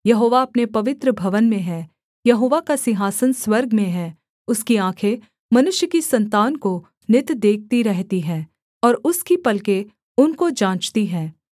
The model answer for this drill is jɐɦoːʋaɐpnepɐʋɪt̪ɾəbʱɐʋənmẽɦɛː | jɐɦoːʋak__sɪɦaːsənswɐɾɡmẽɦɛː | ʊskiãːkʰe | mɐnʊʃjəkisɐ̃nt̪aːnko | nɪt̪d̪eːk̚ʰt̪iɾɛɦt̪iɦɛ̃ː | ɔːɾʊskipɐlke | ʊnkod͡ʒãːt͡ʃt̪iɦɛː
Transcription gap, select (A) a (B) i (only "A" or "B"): A